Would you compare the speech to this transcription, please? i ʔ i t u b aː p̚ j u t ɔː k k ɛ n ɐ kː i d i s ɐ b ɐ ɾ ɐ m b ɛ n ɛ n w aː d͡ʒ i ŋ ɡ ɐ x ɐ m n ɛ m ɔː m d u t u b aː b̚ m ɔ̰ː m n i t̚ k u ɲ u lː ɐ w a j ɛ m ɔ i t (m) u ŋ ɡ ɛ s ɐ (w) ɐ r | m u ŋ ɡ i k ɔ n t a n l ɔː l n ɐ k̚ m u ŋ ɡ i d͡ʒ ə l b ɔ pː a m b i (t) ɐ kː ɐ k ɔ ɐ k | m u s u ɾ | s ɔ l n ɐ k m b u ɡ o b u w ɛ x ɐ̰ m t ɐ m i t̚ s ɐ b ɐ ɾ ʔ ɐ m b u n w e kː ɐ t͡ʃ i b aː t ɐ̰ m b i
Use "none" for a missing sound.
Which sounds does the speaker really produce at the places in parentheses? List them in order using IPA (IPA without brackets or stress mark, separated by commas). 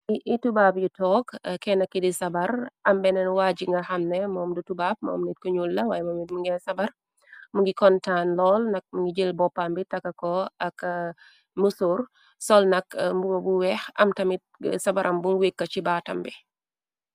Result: m, b, t